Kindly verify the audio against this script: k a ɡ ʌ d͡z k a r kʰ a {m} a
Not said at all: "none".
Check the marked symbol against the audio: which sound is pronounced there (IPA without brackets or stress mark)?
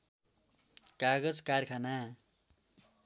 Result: n